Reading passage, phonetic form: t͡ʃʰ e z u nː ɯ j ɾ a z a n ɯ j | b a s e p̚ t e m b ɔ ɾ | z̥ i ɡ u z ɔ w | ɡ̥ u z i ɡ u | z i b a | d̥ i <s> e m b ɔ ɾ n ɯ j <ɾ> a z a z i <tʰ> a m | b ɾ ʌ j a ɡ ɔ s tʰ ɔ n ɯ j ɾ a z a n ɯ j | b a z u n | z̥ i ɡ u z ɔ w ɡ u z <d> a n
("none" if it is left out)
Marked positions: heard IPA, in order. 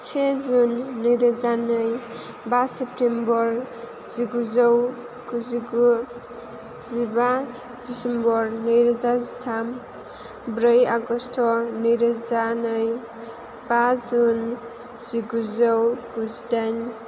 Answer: s, ɾ, tʰ, d

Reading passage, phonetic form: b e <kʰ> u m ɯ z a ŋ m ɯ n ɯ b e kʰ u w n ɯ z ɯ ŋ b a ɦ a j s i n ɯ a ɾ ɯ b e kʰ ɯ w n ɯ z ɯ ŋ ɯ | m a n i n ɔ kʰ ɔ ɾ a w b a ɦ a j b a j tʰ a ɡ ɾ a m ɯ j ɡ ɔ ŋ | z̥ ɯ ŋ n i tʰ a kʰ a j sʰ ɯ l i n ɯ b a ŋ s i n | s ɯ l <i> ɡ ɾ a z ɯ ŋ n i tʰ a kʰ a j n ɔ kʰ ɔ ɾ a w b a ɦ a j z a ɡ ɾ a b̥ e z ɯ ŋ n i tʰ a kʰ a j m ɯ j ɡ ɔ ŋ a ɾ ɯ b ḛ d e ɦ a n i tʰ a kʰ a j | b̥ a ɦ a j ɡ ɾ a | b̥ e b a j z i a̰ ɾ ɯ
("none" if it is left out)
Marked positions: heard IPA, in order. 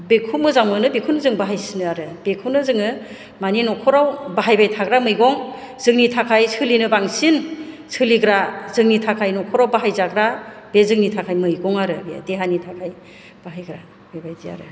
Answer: kʰ, i

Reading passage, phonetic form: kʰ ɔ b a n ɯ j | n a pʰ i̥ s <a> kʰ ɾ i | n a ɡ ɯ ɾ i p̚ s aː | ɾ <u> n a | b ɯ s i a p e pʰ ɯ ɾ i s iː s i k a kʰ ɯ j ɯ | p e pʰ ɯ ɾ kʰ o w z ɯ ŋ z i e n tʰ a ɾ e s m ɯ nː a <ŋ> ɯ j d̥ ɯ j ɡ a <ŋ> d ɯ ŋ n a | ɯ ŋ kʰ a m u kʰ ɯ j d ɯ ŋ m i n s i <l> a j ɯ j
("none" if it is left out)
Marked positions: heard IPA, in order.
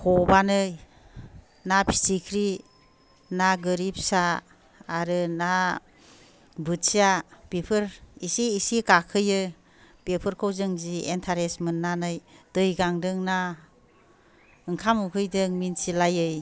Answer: i, ɯ, n, ŋ, l

